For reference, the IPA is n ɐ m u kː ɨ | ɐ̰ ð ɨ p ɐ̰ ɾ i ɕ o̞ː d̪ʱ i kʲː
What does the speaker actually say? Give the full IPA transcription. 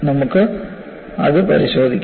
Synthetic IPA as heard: n ɐ m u kː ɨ | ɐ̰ ð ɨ p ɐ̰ ɾ i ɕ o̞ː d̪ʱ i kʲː